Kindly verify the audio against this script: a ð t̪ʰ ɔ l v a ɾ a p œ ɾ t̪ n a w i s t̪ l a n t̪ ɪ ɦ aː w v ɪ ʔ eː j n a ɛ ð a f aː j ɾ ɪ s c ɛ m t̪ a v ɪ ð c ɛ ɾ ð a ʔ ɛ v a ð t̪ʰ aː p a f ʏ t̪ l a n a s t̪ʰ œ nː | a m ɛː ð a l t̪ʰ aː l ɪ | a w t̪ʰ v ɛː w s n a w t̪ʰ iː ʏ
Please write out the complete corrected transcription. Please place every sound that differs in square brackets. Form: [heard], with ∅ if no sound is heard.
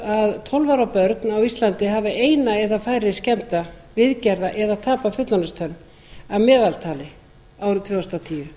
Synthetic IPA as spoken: a ð t̪ʰ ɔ l v a ɾ a p œ ɾ t̪ n a w i s t̪ l a n t̪ ɪ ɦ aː [∅] v ɪ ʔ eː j n a ɛ ð a f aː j ɾ ɪ s c ɛ m t̪ a v ɪ ð c ɛ ɾ ð a ʔ ɛ [ð] a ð t̪ʰ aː p a f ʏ t̪ l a n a s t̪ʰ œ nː | a m ɛː ð a l t̪ʰ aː l ɪ | a w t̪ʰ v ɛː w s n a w t̪ʰ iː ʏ

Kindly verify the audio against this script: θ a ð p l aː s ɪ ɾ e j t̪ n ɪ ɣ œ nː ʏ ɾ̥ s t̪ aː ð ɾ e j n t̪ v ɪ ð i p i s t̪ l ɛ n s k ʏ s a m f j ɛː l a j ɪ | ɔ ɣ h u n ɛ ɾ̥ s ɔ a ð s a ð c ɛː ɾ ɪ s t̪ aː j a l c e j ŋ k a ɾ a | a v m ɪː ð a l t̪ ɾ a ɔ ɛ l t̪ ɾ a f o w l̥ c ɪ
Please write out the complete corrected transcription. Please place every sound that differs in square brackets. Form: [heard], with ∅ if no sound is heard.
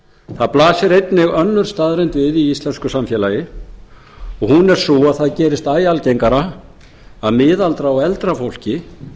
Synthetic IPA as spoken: θ a ð p l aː s ɪ ɾ e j t̪ n ɪ ɣ œ nː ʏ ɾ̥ s t̪ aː ð ɾ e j n t̪ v ɪ ð i [∅] i s t̪ l ɛ n s k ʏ s a m f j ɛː l a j ɪ | ɔ ɣ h u n ɛ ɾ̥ s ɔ a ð [θ] a ð c ɛː ɾ ɪ s t̪ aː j a l c e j ŋ k a ɾ a | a [ð] m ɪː ð a l t̪ ɾ a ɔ ɛ l t̪ ɾ a f o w l̥ c ɪ

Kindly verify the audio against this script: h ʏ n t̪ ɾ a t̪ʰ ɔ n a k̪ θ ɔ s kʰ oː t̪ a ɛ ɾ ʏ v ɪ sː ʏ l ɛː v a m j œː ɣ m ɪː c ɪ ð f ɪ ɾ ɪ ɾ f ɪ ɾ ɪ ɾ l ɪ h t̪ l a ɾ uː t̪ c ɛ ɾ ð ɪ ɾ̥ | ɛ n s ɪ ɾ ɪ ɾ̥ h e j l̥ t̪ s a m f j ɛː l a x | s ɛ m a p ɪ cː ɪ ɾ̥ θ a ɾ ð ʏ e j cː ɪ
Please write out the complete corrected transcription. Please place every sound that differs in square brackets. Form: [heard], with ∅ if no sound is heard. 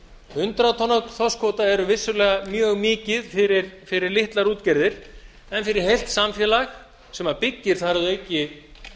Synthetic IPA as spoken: h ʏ n t̪ ɾ a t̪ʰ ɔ n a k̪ θ ɔ s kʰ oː t̪ a ɛ ɾ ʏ v ɪ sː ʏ l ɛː [ɣ] a m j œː ɣ m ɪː c ɪ ð f ɪ ɾ ɪ ɾ f ɪ ɾ ɪ ɾ l ɪ h t̪ l a ɾ uː t̪ c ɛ ɾ ð ɪ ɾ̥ | ɛ n [f] ɪ ɾ ɪ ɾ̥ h e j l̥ t̪ s a m f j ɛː l a x | s ɛ m a p ɪ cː ɪ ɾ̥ θ a ɾ ð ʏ e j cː ɪ

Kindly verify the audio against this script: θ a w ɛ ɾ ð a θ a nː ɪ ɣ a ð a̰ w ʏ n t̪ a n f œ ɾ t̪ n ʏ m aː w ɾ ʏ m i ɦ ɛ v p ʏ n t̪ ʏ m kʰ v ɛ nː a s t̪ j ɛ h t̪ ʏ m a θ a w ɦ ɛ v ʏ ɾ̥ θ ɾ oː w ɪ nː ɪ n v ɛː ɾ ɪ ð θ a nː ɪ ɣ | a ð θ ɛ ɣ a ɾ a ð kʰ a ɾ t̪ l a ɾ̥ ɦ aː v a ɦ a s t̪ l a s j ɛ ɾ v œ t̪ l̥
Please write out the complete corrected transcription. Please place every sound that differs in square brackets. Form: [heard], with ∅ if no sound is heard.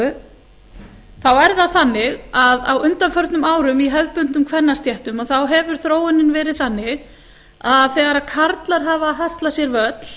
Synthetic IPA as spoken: θ a w ɛ ɾ ð a θ a nː ɪ ɣ a ð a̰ w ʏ n t̪ a n f œ ɾ t̪ n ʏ m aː w ɾ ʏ m i ɦ ɛ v p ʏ n t̪ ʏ m kʰ v ɛ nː a s t̪ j ɛ h t̪ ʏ m a θ a w ɦ ɛ v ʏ ɾ̥ θ ɾ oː w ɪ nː ɪ n v ɛː ɾ ɪ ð θ a nː ɪ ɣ | a ð θ ɛ ɣ a ɾ a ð kʰ a ɾ t̪ l a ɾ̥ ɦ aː v a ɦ a s t̪ l a s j ɛ ɾ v œ t̪ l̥

